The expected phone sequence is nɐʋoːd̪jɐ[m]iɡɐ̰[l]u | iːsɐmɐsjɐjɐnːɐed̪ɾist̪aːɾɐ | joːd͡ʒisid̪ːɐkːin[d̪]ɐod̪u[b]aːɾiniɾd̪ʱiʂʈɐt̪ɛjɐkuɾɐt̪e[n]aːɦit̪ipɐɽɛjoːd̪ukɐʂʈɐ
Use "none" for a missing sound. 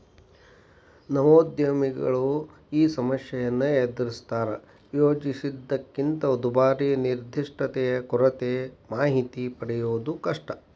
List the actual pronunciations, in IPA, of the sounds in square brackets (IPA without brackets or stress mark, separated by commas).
m, ɭ, t̪, b, m